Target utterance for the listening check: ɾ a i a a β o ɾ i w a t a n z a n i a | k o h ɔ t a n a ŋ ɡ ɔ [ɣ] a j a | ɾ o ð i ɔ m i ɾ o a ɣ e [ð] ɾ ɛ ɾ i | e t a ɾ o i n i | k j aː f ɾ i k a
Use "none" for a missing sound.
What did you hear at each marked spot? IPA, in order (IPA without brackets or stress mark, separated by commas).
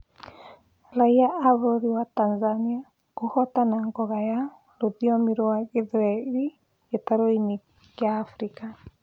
ɣ, ð